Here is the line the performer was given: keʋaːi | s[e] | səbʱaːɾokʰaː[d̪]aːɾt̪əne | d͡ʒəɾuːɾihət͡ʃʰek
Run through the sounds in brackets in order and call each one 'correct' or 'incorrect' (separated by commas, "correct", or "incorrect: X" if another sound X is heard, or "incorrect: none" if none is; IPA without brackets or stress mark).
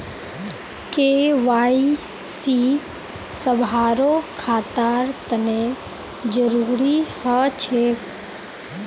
incorrect: i, incorrect: t̪